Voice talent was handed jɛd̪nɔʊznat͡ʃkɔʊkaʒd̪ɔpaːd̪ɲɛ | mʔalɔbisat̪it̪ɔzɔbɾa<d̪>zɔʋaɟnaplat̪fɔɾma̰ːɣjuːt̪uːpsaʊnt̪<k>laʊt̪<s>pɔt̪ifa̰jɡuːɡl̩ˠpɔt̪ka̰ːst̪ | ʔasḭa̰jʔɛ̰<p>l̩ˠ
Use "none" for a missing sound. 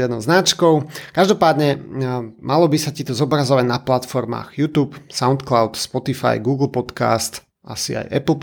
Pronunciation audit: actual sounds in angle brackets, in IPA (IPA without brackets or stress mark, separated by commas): none, k, s, p